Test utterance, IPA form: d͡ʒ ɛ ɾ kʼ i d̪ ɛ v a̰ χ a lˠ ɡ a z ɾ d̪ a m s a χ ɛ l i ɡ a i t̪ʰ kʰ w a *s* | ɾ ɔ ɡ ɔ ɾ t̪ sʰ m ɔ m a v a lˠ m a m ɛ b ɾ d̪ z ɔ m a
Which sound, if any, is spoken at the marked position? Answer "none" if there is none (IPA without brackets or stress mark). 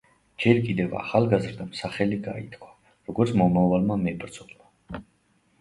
none